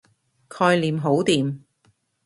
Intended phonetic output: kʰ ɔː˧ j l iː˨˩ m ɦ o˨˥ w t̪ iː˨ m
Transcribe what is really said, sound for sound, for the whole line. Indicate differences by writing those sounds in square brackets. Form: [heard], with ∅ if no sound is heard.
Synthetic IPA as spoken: kʰ ɔː˧ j l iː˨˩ m ɦ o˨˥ w t̪ iː˨ m